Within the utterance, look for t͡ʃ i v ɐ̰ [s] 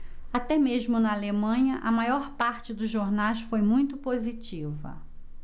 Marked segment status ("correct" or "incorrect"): incorrect